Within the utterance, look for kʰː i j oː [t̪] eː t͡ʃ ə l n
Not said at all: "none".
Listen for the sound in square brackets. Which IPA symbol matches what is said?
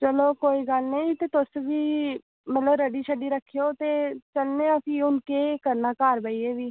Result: t̪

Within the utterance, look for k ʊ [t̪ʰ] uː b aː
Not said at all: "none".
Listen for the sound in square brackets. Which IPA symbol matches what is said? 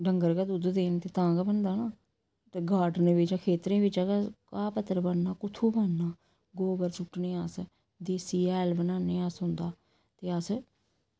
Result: t̪ʰ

